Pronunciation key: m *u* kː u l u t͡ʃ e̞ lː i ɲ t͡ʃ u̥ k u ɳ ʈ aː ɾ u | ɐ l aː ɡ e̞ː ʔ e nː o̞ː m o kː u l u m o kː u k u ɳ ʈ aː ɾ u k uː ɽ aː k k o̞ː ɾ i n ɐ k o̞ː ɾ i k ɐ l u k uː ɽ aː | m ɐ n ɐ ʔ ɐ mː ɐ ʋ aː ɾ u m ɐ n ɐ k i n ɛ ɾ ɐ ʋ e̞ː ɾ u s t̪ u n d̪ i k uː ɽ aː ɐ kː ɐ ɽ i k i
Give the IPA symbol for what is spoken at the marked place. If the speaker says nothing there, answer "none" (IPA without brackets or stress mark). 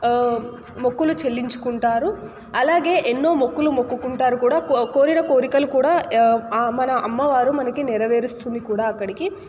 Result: o